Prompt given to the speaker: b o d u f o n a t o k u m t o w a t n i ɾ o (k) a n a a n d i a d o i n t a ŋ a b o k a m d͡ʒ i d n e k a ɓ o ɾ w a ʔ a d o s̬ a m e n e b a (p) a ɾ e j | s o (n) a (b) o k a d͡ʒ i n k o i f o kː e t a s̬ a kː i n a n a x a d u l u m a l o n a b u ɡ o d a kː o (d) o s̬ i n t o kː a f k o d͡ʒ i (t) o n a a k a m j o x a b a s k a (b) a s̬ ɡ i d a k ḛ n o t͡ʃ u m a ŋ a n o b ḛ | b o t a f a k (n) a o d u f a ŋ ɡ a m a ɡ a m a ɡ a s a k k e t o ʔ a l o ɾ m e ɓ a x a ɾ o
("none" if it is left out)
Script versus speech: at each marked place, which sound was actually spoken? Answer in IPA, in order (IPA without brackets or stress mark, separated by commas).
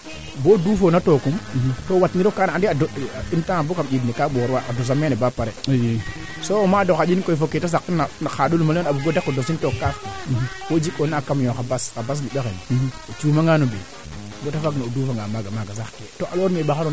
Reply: k, p, m, d, d, k, b, n